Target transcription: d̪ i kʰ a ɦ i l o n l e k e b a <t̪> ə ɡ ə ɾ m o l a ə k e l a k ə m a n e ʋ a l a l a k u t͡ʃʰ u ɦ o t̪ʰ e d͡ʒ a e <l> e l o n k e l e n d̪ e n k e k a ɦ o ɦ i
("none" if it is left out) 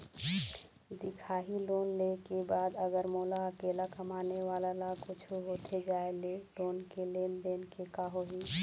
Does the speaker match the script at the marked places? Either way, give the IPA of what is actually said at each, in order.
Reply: d̪, l

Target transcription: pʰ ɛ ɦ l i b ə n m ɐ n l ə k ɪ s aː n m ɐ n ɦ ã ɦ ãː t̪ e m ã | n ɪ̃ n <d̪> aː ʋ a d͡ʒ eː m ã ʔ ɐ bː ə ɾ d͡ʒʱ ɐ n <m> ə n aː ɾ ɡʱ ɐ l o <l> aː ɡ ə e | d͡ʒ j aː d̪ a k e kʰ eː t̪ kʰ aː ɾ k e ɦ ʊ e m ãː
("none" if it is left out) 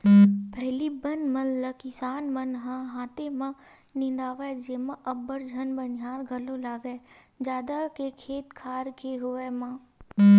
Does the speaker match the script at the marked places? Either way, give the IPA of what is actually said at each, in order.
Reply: d̪, b, l

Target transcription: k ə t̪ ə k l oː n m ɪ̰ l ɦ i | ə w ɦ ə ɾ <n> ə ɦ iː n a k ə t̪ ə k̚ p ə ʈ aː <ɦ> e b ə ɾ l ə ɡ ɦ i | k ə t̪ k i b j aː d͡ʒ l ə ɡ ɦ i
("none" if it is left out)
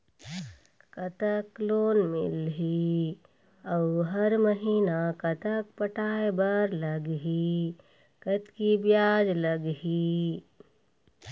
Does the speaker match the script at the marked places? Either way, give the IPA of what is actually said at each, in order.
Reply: m, none

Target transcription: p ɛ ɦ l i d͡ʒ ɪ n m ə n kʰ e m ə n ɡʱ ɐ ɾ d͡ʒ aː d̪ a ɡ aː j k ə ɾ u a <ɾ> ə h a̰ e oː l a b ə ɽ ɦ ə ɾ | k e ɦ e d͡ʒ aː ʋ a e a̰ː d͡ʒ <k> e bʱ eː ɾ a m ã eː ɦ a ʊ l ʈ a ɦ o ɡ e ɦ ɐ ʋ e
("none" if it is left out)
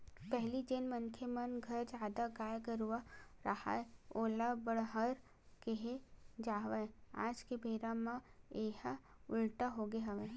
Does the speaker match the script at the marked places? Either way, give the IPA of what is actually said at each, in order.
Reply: ɾ, k

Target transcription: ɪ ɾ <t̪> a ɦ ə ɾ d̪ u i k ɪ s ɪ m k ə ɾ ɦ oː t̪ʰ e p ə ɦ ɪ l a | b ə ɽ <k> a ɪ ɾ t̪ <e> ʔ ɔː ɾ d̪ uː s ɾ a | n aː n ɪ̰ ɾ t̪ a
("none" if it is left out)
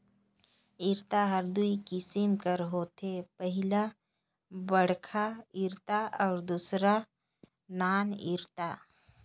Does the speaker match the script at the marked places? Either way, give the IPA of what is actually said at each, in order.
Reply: t̪, kʰ, a

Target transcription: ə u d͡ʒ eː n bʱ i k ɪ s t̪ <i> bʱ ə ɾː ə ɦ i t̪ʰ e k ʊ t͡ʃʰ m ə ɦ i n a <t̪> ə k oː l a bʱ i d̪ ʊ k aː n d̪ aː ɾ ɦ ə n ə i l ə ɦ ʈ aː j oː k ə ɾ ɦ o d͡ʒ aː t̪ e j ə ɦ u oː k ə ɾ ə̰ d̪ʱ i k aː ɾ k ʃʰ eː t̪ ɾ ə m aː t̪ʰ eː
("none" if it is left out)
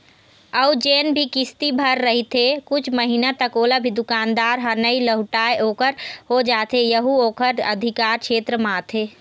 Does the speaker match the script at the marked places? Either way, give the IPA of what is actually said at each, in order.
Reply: i, t̪

